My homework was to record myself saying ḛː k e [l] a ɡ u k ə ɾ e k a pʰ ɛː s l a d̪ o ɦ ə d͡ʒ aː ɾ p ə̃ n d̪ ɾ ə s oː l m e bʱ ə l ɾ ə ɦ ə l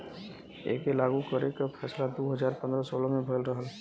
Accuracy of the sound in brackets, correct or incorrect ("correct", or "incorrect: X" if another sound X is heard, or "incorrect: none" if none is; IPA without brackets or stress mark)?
correct